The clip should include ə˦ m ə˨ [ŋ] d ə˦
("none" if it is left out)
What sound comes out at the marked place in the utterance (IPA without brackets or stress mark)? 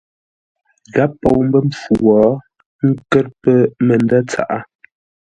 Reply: n